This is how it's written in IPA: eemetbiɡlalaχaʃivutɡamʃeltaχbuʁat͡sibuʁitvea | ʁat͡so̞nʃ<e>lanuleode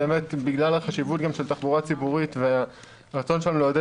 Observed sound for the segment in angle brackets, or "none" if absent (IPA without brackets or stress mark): e